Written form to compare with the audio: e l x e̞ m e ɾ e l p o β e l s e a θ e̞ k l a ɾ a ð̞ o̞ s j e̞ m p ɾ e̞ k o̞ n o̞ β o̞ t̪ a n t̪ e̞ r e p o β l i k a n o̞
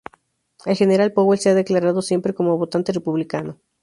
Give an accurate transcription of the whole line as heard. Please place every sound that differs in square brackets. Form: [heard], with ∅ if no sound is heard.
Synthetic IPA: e l x e̞ [n] e ɾ [a] l p o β e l s e a [ð] e̞ k l a ɾ a ð̞ o̞ s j e̞ m p ɾ e̞ k o̞ [m] o̞ β o̞ t̪ a n t̪ e̞ r e p [u] β l i k a n o̞